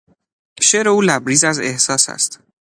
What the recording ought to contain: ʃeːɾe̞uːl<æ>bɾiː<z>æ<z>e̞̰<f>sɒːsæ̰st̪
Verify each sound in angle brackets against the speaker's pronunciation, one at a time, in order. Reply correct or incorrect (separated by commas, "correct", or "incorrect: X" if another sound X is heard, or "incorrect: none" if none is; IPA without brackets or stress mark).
correct, correct, correct, incorrect: h